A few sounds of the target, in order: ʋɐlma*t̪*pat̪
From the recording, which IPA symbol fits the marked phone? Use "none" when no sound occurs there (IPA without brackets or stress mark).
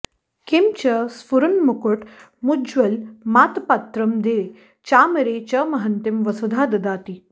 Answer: t̪